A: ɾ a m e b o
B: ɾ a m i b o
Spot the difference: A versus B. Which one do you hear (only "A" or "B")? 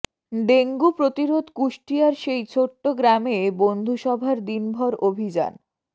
A